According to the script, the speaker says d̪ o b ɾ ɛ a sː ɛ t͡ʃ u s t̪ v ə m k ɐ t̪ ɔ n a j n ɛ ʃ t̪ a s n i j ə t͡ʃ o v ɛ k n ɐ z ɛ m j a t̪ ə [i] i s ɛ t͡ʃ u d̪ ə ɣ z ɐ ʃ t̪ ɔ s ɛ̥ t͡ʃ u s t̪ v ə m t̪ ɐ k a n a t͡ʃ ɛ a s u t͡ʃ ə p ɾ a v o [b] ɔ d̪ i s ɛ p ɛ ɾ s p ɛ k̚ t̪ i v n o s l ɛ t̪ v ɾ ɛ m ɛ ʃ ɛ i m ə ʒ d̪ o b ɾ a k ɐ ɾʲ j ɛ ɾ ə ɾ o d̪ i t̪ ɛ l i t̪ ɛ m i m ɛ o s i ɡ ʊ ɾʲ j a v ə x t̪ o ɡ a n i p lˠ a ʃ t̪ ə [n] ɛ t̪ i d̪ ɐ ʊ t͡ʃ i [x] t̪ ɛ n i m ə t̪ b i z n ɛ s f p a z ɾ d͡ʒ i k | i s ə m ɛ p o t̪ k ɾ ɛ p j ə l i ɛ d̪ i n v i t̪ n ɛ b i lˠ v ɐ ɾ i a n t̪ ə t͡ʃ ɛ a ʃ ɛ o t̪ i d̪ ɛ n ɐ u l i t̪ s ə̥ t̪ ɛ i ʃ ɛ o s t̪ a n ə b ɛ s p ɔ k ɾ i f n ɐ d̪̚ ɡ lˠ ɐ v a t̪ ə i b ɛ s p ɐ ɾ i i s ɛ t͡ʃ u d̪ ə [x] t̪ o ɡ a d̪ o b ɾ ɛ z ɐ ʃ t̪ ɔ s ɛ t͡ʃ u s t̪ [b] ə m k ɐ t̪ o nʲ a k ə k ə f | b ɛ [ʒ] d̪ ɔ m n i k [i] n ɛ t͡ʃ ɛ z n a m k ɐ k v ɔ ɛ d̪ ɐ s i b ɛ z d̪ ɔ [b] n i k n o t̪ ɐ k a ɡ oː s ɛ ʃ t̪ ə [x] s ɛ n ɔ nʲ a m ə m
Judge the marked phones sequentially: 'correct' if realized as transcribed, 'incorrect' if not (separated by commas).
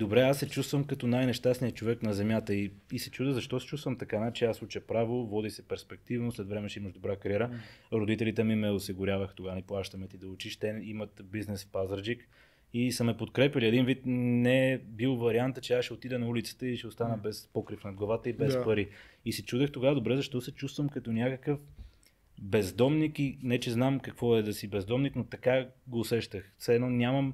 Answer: correct, incorrect, incorrect, incorrect, correct, incorrect, incorrect, correct, incorrect, correct